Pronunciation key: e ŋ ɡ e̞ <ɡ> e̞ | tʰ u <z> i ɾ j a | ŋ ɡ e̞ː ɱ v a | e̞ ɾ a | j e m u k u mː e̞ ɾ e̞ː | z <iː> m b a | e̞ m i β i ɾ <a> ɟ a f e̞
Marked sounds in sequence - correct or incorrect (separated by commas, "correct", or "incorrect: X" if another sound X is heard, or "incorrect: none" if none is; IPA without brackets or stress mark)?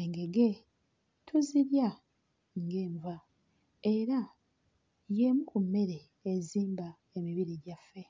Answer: correct, correct, correct, incorrect: i